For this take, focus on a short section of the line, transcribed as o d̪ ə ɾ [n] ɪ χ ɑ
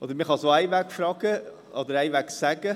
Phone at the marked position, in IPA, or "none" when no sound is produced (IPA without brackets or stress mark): m